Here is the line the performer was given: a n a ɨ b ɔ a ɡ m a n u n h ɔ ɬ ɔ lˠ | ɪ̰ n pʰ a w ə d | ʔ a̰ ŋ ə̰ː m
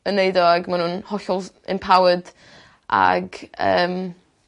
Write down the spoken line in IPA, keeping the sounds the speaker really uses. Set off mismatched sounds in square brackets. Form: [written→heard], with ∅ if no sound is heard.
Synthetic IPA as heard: [a→ə] n [a→e] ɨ [b→d] ɔ a ɡ m a n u n h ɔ ɬ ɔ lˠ | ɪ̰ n pʰ a w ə d | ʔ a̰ [ŋ→ɡ] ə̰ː m